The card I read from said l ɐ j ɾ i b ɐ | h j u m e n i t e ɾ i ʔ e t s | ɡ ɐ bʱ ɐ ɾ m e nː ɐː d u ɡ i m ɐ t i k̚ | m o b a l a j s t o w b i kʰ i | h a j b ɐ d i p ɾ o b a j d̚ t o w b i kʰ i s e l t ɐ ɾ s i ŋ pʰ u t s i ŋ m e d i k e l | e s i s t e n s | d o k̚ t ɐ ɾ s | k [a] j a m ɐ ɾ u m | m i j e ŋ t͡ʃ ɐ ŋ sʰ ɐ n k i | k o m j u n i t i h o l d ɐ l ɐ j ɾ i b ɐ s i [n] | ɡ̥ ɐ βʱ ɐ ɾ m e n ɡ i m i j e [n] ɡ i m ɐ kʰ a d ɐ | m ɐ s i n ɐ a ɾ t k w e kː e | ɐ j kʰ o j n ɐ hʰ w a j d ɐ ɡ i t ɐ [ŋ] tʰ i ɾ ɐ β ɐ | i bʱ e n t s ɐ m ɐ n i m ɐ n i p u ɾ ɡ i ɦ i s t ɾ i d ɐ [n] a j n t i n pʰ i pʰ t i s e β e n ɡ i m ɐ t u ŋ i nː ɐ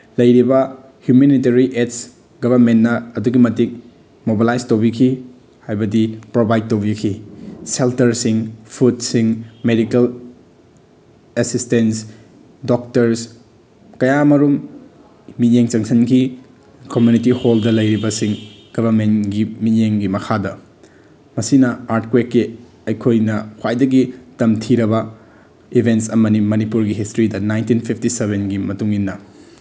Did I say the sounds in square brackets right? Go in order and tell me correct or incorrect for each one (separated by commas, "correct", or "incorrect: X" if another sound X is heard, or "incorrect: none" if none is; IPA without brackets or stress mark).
incorrect: ɐ, incorrect: ŋ, incorrect: ŋ, incorrect: m, correct